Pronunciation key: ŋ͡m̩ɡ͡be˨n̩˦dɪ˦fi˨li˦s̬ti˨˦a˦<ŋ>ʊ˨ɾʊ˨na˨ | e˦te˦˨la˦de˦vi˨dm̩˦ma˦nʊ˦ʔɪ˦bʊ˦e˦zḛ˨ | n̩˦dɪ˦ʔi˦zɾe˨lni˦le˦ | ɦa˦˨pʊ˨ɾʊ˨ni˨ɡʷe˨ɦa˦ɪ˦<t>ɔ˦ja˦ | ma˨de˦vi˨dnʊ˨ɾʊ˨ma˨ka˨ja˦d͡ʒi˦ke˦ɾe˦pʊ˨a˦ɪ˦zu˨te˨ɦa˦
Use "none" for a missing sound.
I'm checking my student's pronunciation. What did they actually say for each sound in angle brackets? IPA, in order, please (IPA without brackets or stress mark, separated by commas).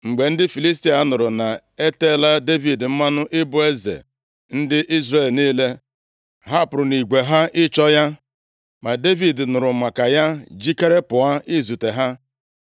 n, t͡ʃ